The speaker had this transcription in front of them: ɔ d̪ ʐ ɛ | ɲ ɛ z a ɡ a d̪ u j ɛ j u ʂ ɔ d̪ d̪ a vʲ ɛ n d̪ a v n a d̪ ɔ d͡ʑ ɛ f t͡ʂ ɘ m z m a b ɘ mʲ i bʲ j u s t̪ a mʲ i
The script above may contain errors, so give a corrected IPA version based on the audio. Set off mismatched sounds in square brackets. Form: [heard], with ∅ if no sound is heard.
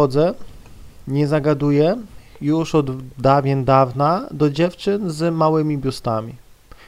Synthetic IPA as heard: ɔ d̪ [z] ɛ | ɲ ɛ z a ɡ a d̪ u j ɛ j u ʂ ɔ d̪ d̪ a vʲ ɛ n d̪ a v n a d̪ ɔ d͡ʑ ɛ f t͡ʂ ɘ [n] z m a [w] ɘ mʲ i bʲ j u s t̪ a mʲ i